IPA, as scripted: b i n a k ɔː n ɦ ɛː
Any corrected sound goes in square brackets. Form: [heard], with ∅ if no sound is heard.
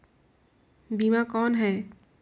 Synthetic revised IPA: b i [m] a k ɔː n ɦ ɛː